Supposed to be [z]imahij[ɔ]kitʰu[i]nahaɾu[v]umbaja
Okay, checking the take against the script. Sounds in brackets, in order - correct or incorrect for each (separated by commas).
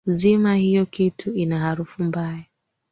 correct, correct, correct, incorrect